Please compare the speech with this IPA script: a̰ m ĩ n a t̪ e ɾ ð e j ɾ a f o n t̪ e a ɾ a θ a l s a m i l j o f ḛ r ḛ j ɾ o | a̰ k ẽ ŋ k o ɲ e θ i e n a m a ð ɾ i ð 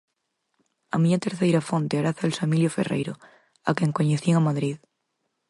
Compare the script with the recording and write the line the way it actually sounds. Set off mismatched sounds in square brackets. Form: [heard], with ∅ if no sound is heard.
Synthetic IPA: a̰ m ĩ [ɲ] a t̪ e ɾ [θ] e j ɾ a f o n t̪ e a ɾ a θ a l s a m i l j o f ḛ r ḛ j ɾ o | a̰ k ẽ ŋ k o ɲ e θ i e [ŋ] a m a ð ɾ i ð